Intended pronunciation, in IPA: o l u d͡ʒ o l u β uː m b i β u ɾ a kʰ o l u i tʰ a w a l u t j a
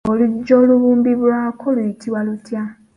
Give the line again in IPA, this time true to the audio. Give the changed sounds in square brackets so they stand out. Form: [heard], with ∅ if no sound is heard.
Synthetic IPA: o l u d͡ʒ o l u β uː m b i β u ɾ a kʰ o l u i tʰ [i] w a l u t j a